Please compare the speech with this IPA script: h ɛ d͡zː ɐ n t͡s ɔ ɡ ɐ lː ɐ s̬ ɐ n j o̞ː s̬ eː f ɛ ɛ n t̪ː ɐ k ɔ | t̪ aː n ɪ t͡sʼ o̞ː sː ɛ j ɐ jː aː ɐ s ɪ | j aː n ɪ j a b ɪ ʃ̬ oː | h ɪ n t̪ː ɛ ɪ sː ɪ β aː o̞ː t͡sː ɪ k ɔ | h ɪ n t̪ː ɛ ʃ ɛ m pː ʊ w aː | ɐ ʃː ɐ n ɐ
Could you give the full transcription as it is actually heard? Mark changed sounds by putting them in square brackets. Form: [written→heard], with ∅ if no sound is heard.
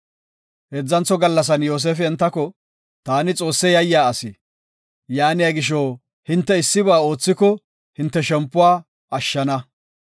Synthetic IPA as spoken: h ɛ d͡zː ɐ n t͡s ɔ ɡ ɐ lː ɐ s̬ ɐ n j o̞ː s̬ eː f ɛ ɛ n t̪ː ɐ k ɔ | t̪ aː n ɪ t͡sʼ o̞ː sː ɛ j ɐ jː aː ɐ s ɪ | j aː n ɪ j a [b→ɡ] ɪ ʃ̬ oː | h ɪ n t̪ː ɛ ɪ sː ɪ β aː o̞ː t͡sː ɪ k ɔ | h ɪ n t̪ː ɛ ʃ ɛ m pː ʊ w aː | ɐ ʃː ɐ n ɐ

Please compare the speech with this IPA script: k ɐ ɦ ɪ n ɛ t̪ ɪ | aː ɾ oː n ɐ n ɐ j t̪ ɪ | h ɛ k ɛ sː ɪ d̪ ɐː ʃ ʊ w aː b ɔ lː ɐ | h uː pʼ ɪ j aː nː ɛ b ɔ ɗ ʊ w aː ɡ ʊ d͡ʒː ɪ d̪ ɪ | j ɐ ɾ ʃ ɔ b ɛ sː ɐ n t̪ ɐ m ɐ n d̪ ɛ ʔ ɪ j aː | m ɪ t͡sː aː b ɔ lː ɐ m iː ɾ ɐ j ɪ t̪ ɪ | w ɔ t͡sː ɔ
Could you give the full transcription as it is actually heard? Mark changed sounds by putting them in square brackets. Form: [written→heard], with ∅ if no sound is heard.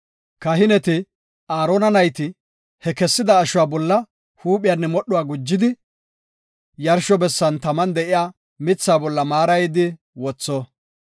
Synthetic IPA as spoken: k ɐ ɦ ɪ n ɛ t̪ ɪ | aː ɾ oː n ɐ n ɐ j t̪ ɪ | h ɛ k ɛ sː ɪ d̪ ɐː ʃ ʊ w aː b ɔ lː ɐ | h uː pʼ ɪ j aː nː ɛ [b→m] ɔ ɗ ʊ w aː ɡ ʊ d͡ʒː ɪ d̪ ɪ | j ɐ ɾ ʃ ɔ b ɛ sː ɐ n t̪ ɐ m ɐ n d̪ ɛ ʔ ɪ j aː | m ɪ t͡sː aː b ɔ lː ɐ m [iː→aː] ɾ ɐ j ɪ [t̪→d̪] ɪ | w ɔ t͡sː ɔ

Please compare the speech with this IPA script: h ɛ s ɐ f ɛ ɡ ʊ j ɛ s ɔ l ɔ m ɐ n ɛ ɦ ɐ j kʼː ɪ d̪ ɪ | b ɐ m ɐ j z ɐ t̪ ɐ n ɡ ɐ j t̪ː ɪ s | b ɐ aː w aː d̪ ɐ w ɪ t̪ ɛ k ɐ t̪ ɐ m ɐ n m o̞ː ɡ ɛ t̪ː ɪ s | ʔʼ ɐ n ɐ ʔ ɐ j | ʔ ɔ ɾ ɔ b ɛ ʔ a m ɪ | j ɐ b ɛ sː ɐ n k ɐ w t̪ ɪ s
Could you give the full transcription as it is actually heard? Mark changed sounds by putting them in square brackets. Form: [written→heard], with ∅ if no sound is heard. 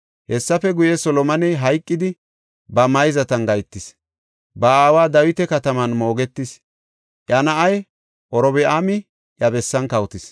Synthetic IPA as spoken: h ɛ [s→sː] ɐ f ɛ ɡ ʊ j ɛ s ɔ l ɔ m ɐ n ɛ ɦ ɐ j kʼː ɪ d̪ ɪ | b ɐ m ɐ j z ɐ t̪ ɐ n ɡ ɐ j t̪ː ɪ s | b ɐ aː w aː d̪ ɐ w ɪ t̪ ɛ k ɐ t̪ ɐ m ɐ n m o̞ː ɡ ɛ t̪ː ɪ s | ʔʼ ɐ n ɐ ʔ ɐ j | ʔ ɔ ɾ ɔ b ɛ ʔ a m ɪ | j ɐ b ɛ sː ɐ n k ɐ w t̪ ɪ s

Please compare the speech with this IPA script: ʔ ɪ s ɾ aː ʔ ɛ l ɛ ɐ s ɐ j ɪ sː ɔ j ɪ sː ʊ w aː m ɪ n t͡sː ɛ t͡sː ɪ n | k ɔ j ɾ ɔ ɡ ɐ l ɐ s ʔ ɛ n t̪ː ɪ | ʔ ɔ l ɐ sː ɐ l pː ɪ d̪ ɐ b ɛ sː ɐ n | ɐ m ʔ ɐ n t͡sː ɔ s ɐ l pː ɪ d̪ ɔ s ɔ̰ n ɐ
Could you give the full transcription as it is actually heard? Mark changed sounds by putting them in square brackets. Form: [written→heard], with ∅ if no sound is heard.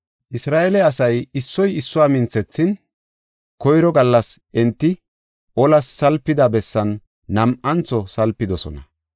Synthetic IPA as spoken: ʔ ɪ s ɾ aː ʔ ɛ l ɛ ɐ s ɐ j ɪ sː ɔ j ɪ sː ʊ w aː m ɪ n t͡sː ɛ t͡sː ɪ n | k ɔ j ɾ ɔ ɡ ɐ [l→lː] ɐ s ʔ ɛ n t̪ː ɪ | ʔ ɔ l ɐ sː ɐ l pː ɪ d̪ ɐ b ɛ sː ɐ [n→nː] | ɐ m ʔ ɐ n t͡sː ɔ s ɐ l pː ɪ d̪ ɔ s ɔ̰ n ɐ

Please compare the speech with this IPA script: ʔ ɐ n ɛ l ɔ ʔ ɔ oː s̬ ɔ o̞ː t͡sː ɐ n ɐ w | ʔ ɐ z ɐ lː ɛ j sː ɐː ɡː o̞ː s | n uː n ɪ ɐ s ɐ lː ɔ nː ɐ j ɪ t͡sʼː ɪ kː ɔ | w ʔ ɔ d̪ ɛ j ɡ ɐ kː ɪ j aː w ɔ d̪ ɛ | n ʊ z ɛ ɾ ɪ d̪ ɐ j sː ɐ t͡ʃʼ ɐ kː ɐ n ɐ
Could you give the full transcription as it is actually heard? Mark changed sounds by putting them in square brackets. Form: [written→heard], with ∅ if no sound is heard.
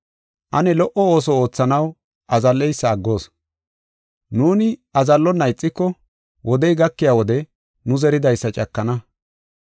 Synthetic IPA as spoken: ʔ ɐ n ɛ l ɔ ʔ ɔ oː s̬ ɔ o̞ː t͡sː ɐ n ɐ w | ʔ ɐ z ɐ lː ɛ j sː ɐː ɡː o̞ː s | n uː n ɪ ɐ [s→z] ɐ lː ɔ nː ɐ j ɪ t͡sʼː ɪ kː ɔ | w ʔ ɔ d̪ ɛ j ɡ ɐ kː ɪ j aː w ɔ d̪ ɛ | n ʊ z ɛ ɾ ɪ d̪ ɐ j sː ɐ t͡ʃʼ ɐ kː ɐ n ɐ

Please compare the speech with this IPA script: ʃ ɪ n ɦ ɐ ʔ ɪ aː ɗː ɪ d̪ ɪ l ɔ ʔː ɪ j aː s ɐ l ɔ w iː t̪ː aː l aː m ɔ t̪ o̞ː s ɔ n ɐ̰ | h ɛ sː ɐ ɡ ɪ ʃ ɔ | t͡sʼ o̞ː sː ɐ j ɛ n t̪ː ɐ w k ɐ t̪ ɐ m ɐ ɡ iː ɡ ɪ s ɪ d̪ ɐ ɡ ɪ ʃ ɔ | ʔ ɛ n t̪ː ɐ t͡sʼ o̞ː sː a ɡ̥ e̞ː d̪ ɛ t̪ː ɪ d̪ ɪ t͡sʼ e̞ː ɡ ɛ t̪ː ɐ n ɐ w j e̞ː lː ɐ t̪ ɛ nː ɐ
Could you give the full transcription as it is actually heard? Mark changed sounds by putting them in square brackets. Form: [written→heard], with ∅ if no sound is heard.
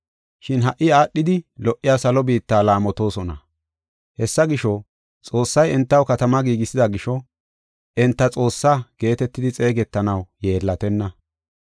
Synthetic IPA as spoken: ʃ ɪ n ɦ ɐ ʔ ɪ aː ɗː ɪ d̪ ɪ l ɔ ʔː ɪ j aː s ɐ l ɔ [w→b] iː t̪ː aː l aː m ɔ t̪ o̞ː s ɔ n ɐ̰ | h ɛ sː ɐ ɡ ɪ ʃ ɔ | t͡sʼ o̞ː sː ɐ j ɛ n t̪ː ɐ w k ɐ t̪ ɐ m ɐ ɡ iː ɡ ɪ s ɪ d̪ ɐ ɡ ɪ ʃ ɔ | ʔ ɛ n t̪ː ɐ t͡sʼ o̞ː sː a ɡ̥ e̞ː [d̪→t̪] ɛ t̪ː ɪ d̪ ɪ t͡sʼ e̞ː ɡ ɛ t̪ː ɐ n ɐ w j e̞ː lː ɐ t̪ ɛ nː ɐ

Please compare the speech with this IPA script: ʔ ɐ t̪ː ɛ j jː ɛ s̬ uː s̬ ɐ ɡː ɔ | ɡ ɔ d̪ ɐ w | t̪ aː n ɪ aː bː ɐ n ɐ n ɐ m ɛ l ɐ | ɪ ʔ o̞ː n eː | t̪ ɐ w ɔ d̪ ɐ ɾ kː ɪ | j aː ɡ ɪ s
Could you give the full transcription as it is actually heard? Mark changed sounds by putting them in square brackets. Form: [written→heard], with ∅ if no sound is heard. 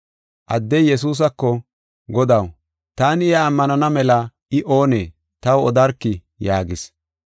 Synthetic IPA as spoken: ʔ ɐ [t̪ː→d̪ː] ɛ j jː ɛ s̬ uː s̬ ɐ [ɡː→kː] ɔ | ɡ ɔ d̪ ɐ w | t̪ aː n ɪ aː [bː→mː] ɐ n ɐ n ɐ m ɛ l ɐ | ɪ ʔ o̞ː n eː | t̪ ɐ w ɔ d̪ ɐ ɾ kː ɪ | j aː ɡ ɪ s

